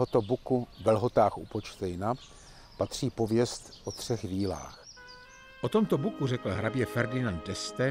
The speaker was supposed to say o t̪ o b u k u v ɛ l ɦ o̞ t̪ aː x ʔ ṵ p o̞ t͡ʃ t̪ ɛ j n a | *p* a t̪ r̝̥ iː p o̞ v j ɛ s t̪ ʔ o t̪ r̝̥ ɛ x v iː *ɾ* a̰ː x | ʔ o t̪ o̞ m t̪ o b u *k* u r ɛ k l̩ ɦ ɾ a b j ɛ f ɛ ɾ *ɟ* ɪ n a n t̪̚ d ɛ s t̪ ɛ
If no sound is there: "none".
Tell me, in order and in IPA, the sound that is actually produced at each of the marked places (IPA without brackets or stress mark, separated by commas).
p, l, k, d